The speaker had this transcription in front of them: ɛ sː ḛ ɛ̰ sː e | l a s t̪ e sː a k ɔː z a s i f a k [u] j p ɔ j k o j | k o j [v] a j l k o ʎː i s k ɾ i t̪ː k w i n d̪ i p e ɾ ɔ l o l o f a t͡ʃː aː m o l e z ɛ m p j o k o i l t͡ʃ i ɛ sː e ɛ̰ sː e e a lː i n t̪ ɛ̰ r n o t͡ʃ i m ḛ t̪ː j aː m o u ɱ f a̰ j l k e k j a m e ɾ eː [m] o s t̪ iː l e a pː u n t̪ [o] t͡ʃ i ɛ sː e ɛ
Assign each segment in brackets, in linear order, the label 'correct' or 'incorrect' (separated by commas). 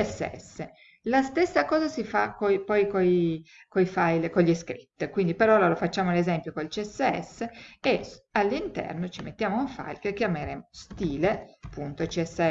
incorrect, incorrect, correct, correct